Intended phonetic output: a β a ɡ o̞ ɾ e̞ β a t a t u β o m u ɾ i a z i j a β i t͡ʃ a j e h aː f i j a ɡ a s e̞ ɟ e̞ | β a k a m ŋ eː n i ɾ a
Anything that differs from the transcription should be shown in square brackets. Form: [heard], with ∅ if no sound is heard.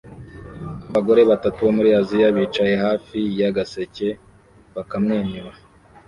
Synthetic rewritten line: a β a ɡ o̞ ɾ e̞ β a t a t u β o m u ɾ i a z i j a β i t͡ʃ a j e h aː f i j a ɡ a s e̞ [c] e̞ | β a k a m ŋ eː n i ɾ a